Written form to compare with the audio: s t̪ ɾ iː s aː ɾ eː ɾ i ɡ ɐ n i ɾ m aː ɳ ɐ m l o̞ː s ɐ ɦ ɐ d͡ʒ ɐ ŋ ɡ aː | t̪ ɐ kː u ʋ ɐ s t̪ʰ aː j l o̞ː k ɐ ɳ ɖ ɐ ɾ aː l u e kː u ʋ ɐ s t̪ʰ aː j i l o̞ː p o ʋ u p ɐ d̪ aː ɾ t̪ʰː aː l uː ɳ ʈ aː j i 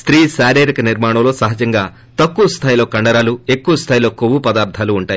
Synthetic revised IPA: s t̪ ɾ iː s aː ɾ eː ɾ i k ɐ n i ɾ m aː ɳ ɐ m l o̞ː s ɐ ɦ ɐ d͡ʒ ɐ ŋ ɡ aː | t̪ ɐ kː u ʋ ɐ s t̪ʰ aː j l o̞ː k ɐ ɳ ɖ ɐ ɾ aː l u e kː u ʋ ɐ s t̪ʰ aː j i l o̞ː k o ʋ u p ɐ d̪ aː ɾ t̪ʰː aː l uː ɳ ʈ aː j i